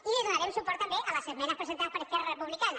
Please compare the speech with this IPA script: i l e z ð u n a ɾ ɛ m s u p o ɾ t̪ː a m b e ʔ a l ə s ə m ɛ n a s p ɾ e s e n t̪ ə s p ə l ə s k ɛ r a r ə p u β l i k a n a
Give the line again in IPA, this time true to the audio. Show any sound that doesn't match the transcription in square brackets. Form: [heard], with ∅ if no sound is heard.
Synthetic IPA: i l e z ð u n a ɾ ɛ m s u p [ɔ] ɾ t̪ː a m b e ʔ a l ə s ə m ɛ n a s p ɾ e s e n t̪ [a] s p ə [ɾ] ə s k ɛ r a r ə p u β l i k a n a